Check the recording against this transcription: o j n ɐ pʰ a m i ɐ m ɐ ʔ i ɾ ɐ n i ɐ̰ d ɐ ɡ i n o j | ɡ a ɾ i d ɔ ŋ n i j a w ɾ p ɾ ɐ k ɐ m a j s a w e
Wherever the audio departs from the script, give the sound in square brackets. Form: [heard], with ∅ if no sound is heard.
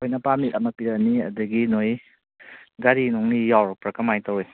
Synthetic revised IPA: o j n ɐ [p] a m i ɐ m ɐ [p] i ɾ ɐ n i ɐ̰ d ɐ ɡ i n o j | ɡ a ɾ i [n] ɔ ŋ n i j a w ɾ p ɾ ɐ k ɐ m a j [t] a w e